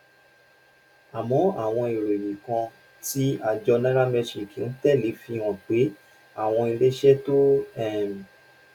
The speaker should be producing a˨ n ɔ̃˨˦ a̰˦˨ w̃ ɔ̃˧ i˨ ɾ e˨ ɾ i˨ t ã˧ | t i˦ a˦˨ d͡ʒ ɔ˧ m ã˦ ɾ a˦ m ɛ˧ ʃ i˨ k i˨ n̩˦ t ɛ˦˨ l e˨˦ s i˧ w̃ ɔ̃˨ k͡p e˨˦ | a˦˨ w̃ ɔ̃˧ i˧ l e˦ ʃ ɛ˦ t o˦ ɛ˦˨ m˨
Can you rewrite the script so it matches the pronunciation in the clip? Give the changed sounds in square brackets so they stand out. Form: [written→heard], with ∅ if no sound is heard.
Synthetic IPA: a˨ [n→m] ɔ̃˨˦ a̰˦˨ w̃ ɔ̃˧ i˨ ɾ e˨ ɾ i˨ [t→k] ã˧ | t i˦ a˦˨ d͡ʒ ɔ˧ [m→n] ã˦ ɾ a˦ m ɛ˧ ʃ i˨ k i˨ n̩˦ t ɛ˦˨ l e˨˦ [s→f] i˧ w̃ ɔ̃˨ k͡p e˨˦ | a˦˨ w̃ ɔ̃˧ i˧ l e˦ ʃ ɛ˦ t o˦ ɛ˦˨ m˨